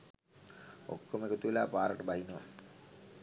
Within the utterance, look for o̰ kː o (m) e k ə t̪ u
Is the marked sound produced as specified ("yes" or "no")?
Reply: yes